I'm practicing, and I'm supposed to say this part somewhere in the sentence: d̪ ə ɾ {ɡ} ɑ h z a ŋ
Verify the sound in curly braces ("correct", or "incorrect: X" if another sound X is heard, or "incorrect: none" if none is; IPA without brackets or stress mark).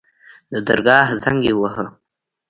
correct